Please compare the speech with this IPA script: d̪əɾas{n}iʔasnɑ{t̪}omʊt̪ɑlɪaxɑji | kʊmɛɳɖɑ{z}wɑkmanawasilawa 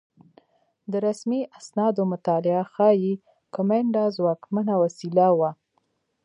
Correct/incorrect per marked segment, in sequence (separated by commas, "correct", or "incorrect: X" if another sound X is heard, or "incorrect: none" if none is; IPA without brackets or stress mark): incorrect: m, incorrect: d̪, correct